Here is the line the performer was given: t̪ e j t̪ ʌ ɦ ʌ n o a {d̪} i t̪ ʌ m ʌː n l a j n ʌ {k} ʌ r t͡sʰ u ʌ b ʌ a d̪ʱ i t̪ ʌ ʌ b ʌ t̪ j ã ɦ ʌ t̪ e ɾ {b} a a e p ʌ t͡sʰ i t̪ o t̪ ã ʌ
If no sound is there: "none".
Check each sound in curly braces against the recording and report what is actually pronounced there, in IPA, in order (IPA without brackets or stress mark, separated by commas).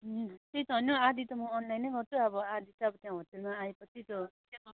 d̪, ɡ, m